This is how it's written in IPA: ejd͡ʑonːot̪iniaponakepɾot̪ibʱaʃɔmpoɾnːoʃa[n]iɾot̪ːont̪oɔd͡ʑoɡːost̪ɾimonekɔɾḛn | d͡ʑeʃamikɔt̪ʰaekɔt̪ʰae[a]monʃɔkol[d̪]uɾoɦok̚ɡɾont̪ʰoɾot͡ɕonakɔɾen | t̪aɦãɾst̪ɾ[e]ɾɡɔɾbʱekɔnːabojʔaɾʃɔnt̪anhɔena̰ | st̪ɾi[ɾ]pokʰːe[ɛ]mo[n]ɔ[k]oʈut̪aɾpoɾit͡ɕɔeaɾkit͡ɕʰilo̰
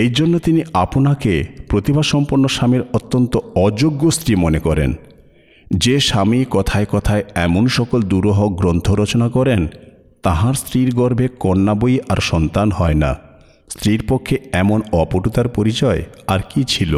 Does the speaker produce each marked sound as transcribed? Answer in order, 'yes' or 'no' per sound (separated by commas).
no, no, yes, no, yes, yes, yes, no